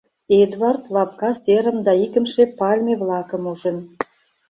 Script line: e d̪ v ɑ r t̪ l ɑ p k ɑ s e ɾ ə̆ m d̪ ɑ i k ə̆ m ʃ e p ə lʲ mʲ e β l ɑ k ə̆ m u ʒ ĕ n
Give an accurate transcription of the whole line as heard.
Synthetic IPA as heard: e d̪ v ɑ r t̪ l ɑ p k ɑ s e ɾ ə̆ m d̪ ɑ i k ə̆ m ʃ e p ɑ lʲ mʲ e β l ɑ k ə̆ m u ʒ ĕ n